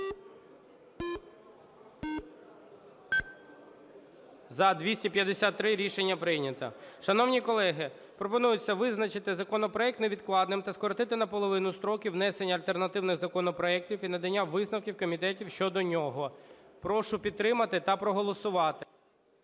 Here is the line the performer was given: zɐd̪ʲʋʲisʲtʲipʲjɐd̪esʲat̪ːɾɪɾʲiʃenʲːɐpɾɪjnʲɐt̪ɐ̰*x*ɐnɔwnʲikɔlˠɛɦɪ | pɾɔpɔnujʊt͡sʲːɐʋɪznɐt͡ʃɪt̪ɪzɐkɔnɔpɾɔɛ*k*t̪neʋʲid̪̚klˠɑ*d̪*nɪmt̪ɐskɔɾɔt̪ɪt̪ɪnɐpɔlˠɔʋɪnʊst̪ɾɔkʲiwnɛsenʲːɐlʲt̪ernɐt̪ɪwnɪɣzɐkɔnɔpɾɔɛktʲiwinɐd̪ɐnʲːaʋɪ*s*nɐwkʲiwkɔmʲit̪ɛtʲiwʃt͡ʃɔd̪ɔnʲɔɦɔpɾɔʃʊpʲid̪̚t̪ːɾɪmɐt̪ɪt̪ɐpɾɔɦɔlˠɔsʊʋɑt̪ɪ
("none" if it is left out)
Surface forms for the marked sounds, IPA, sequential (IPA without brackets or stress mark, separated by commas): ʃ, k, d̪, z